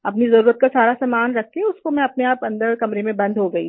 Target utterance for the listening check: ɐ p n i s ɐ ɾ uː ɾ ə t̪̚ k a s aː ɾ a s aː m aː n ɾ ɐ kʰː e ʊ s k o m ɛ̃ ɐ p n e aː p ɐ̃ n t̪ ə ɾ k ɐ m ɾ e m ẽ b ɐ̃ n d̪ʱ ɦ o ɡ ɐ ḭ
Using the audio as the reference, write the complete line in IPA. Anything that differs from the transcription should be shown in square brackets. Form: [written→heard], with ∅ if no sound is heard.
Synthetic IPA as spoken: ɐ p n i [s→z] ɐ ɾ uː ɾ ə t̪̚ k a s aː ɾ a s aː m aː n ɾ ɐ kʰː e ʊ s k o m ɛ̃ ɐ p n e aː p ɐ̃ n [t̪→d̪] ə ɾ k ɐ m ɾ e m ẽ b ɐ̃ n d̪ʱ ɦ o ɡ ɐ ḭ